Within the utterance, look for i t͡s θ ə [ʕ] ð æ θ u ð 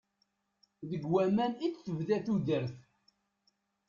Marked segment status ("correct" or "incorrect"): incorrect